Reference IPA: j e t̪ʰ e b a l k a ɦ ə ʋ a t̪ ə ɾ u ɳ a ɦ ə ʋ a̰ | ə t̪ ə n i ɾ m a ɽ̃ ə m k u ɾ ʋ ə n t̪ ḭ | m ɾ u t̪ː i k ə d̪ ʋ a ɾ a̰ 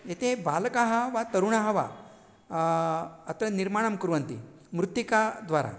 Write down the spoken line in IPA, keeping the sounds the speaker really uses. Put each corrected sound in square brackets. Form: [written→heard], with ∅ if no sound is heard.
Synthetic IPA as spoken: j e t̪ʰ e b a l k a ɦ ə ʋ a t̪ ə ɾ u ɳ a ɦ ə ʋ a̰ | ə t̪ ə n i ɾ m a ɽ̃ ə m k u ɾ ʋ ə n t̪ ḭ | m ɾ u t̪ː i k [ə→a] d̪ ʋ a ɾ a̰

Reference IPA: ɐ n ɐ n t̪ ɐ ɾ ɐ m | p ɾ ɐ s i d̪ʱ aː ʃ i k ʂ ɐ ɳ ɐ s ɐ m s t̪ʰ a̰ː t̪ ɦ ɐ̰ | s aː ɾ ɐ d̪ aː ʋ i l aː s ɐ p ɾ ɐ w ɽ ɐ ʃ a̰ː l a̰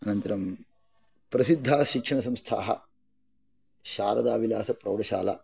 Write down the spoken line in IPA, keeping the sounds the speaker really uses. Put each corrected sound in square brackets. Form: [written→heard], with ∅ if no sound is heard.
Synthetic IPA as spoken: ɐ n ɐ n t̪ ɐ ɾ ɐ m | p ɾ ɐ s i [d̪ʱ→d̪ʱː] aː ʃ i k ʂ ɐ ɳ ɐ s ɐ m s t̪ʰ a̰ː [t̪→∅] ɦ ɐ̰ | [s→ʃ] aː ɾ ɐ d̪ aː ʋ i l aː s ɐ p ɾ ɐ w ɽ ɐ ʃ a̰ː l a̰

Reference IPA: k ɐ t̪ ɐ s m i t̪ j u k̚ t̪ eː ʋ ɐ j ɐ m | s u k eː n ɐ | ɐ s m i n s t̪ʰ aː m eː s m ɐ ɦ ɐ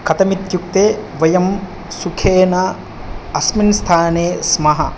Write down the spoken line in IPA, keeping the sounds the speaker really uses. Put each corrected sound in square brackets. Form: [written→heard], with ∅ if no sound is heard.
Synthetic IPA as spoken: k ɐ t̪ ɐ [s→∅] m i t̪ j u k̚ t̪ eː ʋ ɐ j ɐ m | s u [k→kʰ] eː n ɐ | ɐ s m i n s t̪ʰ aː [m→n] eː s m ɐ ɦ ɐ

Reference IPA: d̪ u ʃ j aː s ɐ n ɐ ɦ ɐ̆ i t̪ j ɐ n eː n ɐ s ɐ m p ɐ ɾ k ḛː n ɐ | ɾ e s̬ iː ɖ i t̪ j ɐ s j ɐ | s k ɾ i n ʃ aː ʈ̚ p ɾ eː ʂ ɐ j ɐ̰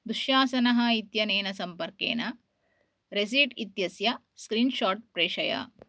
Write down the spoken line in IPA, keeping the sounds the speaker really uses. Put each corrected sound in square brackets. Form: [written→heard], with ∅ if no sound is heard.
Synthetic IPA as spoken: d̪ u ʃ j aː s ɐ n ɐ ɦ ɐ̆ i t̪ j ɐ n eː n ɐ s ɐ m p ɐ ɾ k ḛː n ɐ | ɾ e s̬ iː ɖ i t̪ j ɐ s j ɐ | s k ɾ [i→iː] n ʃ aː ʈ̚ p ɾ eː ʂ ɐ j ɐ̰

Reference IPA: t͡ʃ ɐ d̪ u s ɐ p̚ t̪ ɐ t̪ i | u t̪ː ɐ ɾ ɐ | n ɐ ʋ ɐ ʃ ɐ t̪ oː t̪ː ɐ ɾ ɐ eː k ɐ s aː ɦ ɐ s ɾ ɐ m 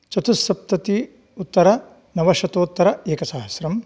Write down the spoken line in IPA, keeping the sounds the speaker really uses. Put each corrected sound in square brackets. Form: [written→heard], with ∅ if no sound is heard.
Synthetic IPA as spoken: t͡ʃ ɐ [d̪→t̪] u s ɐ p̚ t̪ ɐ t̪ i | u t̪ː ɐ ɾ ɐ | n ɐ ʋ ɐ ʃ ɐ t̪ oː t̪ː ɐ ɾ ɐ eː k ɐ s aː ɦ ɐ s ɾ ɐ m

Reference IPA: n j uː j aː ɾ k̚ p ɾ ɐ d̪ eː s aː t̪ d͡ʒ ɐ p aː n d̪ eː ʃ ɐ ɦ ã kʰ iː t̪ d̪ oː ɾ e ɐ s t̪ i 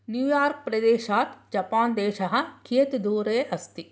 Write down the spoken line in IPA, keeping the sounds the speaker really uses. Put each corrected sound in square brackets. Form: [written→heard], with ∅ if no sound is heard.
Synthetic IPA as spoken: n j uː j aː ɾ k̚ p ɾ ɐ d̪ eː [s→ʃ] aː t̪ d͡ʒ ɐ p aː n d̪ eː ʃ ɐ ɦ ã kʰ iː t̪ d̪ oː ɾ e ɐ s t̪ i

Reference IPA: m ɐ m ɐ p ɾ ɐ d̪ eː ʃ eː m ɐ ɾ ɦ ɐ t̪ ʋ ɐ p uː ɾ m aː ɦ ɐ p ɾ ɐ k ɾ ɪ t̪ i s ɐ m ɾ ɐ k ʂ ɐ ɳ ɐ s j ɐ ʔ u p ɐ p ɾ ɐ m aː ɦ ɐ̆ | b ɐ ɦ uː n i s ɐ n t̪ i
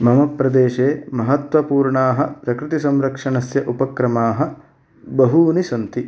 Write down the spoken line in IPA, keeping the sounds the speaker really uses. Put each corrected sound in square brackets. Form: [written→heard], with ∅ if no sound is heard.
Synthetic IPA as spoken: m ɐ m ɐ p ɾ ɐ d̪ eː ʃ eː m ɐ [ɾ→∅] ɦ ɐ t̪ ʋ ɐ p uː ɾ [m→ɳ] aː ɦ ɐ p ɾ ɐ k ɾ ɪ t̪ i s ɐ m ɾ ɐ k ʂ ɐ ɳ ɐ s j ɐ ʔ u p ɐ [p→k] ɾ ɐ m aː ɦ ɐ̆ | b ɐ ɦ uː n i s ɐ n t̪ i

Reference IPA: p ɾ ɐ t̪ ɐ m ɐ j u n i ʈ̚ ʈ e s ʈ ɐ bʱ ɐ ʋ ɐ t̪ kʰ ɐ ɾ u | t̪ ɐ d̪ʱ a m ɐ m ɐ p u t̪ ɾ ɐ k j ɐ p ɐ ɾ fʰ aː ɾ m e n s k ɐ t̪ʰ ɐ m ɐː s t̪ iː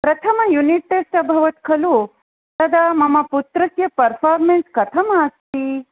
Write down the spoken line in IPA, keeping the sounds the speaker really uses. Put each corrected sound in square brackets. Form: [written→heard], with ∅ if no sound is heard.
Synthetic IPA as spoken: p ɾ ɐ [t̪→t̪ʰ] ɐ m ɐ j u n i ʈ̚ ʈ e s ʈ ɐ bʱ ɐ ʋ ɐ t̪ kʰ ɐ [ɾ→l] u | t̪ ɐ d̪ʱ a m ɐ m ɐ p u t̪ ɾ ɐ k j ɐ p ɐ ɾ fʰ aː ɾ m e n s k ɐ t̪ʰ ɐ m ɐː s t̪ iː

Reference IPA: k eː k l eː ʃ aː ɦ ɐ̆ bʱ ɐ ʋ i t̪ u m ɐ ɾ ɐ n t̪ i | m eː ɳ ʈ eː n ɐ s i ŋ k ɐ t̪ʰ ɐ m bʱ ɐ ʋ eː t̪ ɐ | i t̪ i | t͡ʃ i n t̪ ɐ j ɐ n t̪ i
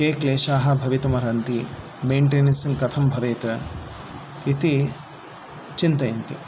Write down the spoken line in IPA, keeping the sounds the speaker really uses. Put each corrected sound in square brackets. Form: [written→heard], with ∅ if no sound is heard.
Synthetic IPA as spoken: k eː k l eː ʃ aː ɦ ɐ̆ bʱ ɐ ʋ i t̪ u m ɐ ɾ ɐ n t̪ i | m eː ɳ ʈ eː n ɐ s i ŋ k ɐ t̪ʰ ɐ m bʱ ɐ ʋ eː t̪ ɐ | i t̪ i | t͡ʃ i n t̪ ɐ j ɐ n t̪ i

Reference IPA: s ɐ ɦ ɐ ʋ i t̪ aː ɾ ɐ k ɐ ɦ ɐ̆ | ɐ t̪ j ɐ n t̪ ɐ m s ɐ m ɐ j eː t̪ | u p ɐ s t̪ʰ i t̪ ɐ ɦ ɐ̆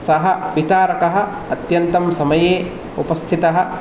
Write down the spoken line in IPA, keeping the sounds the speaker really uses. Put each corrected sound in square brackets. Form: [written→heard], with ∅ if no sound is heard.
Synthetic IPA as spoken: s ɐ ɦ ɐ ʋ i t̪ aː ɾ ɐ k ɐ ɦ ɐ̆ | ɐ t̪ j ɐ n t̪ ɐ m s ɐ m ɐ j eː [t̪→∅] | u p ɐ s t̪ʰ i t̪ ɐ ɦ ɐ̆

